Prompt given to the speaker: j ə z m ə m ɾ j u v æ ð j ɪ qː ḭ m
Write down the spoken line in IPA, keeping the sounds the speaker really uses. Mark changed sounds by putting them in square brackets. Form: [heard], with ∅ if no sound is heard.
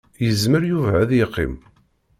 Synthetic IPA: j ə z m ə [∅] ɾ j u v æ ð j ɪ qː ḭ m